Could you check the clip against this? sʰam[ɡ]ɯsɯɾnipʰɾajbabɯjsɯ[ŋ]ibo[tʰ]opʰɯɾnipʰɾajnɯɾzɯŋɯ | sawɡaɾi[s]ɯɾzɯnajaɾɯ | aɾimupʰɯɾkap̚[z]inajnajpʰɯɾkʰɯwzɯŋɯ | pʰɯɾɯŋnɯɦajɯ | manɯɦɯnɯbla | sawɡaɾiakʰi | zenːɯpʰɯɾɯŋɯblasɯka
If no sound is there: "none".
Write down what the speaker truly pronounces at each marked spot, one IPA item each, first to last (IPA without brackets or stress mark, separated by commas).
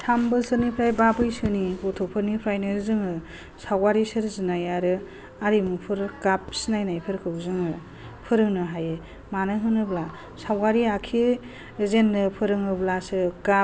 b, n, tʰ, s, s